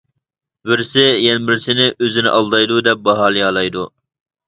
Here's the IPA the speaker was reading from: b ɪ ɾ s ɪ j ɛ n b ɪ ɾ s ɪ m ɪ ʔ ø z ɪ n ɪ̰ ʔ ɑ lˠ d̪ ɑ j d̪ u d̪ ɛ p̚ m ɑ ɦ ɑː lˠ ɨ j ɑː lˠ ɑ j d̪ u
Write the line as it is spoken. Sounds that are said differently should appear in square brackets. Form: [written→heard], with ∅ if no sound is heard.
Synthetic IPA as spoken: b ɪ ɾ s ɪ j ɛ n b ɪ ɾ s ɪ [m→n] ɪ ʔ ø z ɪ n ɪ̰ ʔ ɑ lˠ d̪ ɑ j d̪ u d̪ ɛ p̚ [m→b] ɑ ɦ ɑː lˠ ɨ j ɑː lˠ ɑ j d̪ u